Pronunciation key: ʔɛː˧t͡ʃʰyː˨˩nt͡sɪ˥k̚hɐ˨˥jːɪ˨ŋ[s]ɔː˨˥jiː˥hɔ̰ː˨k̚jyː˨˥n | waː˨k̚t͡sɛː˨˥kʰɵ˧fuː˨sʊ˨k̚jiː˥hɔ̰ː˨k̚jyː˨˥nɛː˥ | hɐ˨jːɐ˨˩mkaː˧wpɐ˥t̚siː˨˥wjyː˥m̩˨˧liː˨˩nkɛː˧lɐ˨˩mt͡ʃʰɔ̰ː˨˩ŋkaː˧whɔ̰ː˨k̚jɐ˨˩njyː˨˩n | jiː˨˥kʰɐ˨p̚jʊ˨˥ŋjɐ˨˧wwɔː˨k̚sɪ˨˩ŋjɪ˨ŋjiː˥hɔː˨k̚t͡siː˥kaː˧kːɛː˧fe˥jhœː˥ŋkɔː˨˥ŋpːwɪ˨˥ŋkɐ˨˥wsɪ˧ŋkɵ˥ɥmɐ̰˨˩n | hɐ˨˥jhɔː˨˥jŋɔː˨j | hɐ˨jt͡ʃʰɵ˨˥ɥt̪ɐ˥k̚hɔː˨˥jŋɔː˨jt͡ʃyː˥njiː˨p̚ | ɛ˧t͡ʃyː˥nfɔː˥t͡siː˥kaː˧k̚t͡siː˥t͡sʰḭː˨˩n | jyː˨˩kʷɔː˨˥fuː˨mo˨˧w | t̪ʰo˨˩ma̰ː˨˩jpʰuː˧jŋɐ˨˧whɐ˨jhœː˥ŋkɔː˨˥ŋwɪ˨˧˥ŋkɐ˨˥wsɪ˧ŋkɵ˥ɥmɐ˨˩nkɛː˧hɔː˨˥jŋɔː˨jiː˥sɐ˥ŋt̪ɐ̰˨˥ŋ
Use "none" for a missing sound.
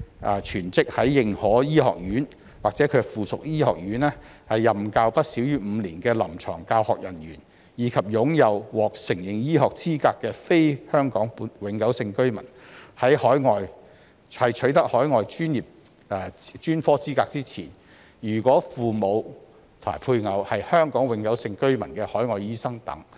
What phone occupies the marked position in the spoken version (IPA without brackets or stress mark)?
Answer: h